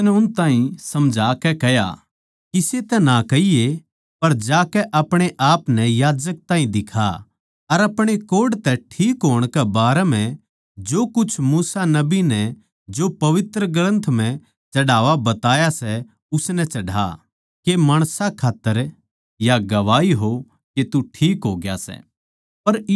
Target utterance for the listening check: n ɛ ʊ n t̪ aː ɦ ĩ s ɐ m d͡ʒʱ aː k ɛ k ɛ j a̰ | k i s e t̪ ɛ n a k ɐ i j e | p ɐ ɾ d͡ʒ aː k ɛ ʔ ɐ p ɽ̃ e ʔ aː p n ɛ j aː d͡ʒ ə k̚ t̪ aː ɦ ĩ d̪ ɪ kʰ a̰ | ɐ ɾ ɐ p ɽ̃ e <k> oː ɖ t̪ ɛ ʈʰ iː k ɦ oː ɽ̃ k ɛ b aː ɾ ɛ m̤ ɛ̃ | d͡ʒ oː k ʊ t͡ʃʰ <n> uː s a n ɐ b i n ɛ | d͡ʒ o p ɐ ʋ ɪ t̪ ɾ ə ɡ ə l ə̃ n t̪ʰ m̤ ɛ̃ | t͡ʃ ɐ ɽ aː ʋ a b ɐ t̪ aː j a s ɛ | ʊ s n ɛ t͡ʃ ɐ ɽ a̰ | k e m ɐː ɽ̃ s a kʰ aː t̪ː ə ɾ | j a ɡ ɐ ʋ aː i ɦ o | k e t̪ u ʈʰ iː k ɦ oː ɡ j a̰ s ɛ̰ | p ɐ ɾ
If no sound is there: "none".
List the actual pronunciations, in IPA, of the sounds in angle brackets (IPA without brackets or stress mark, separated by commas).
k, m